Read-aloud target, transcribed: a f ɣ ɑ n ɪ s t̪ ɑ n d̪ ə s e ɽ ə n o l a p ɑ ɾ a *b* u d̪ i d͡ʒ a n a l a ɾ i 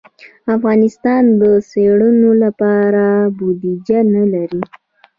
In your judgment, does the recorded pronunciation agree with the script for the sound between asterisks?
yes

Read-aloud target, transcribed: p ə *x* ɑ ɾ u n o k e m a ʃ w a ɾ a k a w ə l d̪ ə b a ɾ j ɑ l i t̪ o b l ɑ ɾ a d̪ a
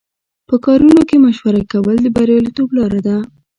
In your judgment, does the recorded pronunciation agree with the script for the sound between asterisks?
no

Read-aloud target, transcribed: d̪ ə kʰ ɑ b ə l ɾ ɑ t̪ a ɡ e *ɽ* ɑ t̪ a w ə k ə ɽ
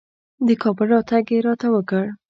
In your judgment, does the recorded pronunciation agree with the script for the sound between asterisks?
no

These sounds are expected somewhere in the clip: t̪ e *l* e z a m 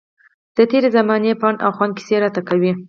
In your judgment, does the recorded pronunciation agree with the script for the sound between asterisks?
no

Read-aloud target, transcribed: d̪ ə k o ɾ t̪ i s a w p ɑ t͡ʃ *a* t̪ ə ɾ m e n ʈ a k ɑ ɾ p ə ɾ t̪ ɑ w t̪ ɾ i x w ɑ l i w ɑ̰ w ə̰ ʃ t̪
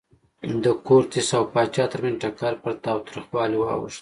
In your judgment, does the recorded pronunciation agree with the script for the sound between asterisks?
no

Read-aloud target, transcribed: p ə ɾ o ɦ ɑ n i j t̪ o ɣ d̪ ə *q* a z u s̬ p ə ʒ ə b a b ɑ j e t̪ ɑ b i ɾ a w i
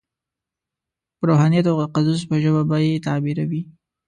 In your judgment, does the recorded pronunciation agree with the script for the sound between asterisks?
yes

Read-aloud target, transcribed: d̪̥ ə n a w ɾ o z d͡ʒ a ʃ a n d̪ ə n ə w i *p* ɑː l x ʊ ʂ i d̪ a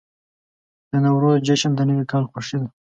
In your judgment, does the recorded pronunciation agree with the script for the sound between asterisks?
no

